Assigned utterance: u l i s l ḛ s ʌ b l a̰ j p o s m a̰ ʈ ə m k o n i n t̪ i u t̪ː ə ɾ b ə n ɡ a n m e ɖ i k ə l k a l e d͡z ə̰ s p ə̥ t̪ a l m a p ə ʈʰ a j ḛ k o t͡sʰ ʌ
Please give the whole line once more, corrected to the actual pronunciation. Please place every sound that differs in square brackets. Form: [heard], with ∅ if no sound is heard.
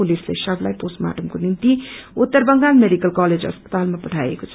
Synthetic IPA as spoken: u l i s l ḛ s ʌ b l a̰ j p o s m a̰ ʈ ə m k o n i n t̪ i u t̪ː ə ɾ b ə [ŋ] ɡ a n m e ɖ i k ə l k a l e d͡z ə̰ s p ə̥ t̪ a l m a p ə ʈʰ a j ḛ k o t͡sʰ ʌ